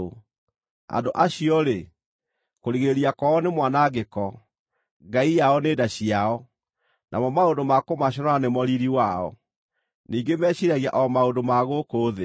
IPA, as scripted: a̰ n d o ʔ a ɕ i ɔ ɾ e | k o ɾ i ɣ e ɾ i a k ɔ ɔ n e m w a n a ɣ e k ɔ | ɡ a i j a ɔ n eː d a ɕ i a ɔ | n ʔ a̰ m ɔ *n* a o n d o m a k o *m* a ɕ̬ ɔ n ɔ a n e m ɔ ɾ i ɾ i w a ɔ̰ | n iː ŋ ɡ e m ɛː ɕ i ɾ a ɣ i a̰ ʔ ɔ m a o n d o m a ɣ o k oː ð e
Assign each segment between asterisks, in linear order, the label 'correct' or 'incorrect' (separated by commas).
incorrect, correct